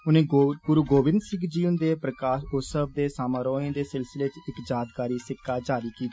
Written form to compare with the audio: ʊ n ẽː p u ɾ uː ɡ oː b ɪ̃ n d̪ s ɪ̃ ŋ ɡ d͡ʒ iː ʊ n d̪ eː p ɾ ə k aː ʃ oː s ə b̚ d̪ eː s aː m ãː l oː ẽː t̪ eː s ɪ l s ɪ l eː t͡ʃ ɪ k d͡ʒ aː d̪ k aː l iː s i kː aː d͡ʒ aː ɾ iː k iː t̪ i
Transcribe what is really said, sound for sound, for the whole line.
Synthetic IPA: ʊ n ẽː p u ɾ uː ɡ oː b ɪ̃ n d̪ s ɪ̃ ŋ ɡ d͡ʒ iː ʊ n d̪ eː p ɾ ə k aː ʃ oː s ə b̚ d̪ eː s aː m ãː ɾ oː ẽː d̪ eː s ɪ l s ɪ l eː t͡ʃ ɪ k d͡ʒ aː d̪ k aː ɾ iː s ɪ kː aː d͡ʒ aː ɾ iː k iː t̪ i

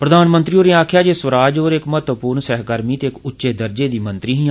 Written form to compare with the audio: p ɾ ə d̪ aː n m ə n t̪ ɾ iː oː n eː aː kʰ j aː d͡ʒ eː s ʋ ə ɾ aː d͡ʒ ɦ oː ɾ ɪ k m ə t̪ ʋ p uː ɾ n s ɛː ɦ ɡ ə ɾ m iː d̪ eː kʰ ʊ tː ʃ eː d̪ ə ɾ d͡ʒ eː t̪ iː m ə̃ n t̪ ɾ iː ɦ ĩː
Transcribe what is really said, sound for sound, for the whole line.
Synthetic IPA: p ɾ ə d̪ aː n m ə n t̪ ɾ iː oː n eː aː kʰ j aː d͡ʒ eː s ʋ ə ɾ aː d͡ʒ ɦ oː ɾ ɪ k m ə t̪ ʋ p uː ɾ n s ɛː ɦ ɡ ə ɾ m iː t̪ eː k ʊ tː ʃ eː d̪ ə ɾ d͡ʒ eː d̪ iː m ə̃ n t̪ ɾ iː ɦ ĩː

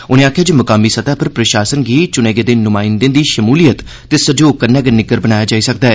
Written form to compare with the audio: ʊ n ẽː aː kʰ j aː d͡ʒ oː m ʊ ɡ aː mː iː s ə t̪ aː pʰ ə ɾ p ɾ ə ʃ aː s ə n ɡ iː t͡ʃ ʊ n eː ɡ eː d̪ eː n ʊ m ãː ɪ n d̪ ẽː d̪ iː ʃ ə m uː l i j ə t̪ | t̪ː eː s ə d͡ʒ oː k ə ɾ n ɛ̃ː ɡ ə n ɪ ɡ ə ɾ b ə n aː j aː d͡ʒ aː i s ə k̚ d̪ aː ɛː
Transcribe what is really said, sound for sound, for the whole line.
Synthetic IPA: ʊ n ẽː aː kʰ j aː d͡ʒ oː m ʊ k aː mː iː s ə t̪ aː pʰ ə ɾ p ɾ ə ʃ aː s ə n ɡ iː t͡ʃ ʊ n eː ɡ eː d̪ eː n ʊ m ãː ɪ n d̪ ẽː d̪ iː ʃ ə m uː l i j ə t̪ | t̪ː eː s ə d͡ʒ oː k ə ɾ n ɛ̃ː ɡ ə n ɪ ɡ ə ɾ b ə n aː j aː d͡ʒ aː i s ə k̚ d̪ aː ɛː

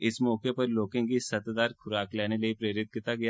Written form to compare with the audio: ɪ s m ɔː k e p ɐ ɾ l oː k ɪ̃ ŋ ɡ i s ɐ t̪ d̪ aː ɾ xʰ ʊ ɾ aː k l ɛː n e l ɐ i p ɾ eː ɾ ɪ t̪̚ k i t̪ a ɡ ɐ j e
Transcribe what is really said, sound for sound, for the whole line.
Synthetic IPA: ɪ s m ɔː k e p ɐ ɾ l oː k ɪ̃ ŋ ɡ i s ɐ t̪ d̪ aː ɾ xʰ ʊ ɾ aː k l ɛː n e l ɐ i p ɾ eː ɾ ɪ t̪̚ k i t̪ a ɡ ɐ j a

